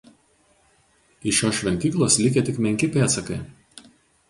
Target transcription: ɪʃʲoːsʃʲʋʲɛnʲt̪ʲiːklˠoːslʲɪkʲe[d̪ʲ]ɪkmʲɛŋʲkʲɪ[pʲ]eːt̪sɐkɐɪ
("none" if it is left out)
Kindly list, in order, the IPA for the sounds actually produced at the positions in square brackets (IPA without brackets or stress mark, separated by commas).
t̪ʲ, pʲ